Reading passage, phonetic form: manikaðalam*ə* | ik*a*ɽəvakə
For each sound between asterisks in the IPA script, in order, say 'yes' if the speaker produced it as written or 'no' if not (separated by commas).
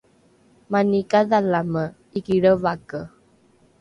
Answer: yes, no